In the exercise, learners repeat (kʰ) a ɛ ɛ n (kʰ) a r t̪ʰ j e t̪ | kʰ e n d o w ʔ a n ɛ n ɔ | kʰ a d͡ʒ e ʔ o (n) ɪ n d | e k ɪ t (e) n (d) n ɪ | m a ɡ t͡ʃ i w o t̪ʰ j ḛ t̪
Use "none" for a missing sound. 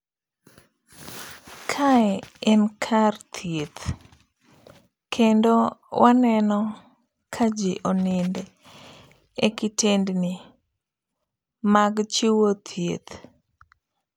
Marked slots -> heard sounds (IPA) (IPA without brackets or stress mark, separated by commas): kʰ, kʰ, n, e, d